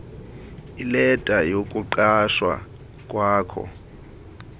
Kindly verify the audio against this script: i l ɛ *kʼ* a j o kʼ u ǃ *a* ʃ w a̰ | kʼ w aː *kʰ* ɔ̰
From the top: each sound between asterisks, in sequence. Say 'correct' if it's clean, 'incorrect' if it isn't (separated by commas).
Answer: incorrect, correct, correct